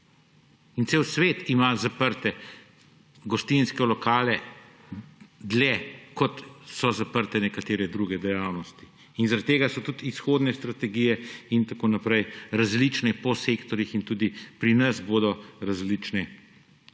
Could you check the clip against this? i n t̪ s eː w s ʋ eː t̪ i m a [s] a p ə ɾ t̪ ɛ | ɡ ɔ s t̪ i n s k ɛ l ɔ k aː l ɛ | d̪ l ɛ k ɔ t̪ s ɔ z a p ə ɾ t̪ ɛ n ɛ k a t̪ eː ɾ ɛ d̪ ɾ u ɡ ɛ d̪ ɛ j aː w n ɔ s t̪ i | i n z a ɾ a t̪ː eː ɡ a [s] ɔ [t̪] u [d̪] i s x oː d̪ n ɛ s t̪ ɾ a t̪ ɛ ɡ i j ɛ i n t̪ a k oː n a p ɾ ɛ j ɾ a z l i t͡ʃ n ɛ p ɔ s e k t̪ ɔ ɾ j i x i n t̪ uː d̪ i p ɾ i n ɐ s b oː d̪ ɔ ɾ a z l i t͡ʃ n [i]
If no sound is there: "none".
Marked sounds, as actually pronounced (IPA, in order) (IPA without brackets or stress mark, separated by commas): z, s, t̪, t̪, ɛ